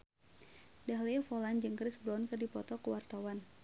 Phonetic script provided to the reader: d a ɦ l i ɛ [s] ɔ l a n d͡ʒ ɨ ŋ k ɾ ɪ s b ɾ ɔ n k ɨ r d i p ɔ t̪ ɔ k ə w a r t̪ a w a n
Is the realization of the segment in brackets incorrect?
yes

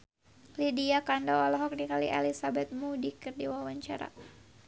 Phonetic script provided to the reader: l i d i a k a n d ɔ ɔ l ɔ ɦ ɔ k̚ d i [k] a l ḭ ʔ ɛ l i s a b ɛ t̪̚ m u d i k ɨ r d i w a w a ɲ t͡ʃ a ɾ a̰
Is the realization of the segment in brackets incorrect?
no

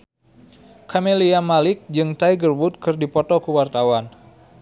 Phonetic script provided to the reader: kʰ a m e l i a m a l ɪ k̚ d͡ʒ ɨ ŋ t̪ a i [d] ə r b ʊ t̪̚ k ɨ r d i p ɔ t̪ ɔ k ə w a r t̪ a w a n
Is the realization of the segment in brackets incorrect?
yes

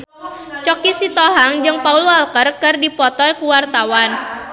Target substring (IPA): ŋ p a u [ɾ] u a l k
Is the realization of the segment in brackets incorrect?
yes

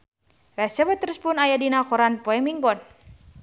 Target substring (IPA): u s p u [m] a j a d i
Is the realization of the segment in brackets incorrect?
yes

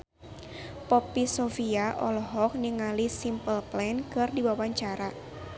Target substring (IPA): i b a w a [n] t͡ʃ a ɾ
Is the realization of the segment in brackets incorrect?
yes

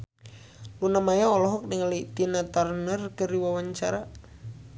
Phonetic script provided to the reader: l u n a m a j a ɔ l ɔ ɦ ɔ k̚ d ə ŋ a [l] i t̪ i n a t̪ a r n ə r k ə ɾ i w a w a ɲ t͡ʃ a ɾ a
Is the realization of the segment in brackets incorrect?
no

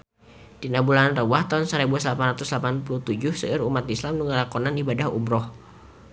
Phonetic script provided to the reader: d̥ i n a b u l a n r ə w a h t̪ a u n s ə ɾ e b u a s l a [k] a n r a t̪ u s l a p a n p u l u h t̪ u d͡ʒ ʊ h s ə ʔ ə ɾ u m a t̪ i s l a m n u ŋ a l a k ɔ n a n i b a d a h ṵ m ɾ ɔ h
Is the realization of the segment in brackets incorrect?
yes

